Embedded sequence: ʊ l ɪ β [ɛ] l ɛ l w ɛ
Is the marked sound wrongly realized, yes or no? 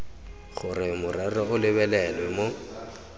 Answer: no